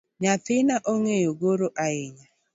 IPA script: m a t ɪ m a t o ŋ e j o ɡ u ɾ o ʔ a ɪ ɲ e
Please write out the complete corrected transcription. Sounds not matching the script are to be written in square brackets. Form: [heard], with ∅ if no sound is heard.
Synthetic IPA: [ɲ] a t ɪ [n] a [ʔ] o ŋ e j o ɡ [o] ɾ o ʔ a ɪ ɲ [a]